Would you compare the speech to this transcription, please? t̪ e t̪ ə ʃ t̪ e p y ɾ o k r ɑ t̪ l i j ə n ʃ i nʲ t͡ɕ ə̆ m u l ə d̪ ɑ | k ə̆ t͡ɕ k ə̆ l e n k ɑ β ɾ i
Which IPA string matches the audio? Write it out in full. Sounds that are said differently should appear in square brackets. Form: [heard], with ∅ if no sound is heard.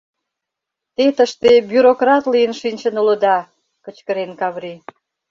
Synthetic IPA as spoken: t̪ e t̪ ə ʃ t̪ e [b] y ɾ o k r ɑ t̪ l i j ə n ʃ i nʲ t͡ɕ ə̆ [n] u l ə d̪ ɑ | k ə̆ t͡ɕ k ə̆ [ɾ] e n k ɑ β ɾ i